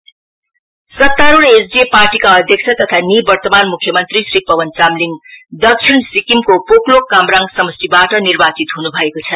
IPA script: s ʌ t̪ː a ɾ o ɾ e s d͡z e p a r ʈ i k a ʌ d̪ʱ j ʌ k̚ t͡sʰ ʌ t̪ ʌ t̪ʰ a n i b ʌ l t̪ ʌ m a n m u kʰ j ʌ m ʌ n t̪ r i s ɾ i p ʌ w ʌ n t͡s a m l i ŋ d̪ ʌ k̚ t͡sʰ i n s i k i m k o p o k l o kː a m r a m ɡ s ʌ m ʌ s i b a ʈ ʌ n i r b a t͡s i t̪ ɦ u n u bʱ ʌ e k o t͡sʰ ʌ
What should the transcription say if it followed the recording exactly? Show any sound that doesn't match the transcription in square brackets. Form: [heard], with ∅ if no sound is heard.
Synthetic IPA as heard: s ʌ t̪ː a ɾ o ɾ e s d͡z e p a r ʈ i k a ʌ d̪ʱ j ʌ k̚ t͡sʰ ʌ t̪ ʌ t̪ʰ a n i b ʌ [r] t̪ ʌ m a n m u kʰ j ʌ m ʌ n t̪ r i s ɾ i p ʌ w ʌ n t͡s a m l i ŋ d̪ ʌ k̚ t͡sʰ i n s i k i m k o p o k l o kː a m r a [ŋ] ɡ s ʌ m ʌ s i b a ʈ ʌ n i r b a t͡s i t̪ ɦ u n u bʱ ʌ e k o t͡sʰ ʌ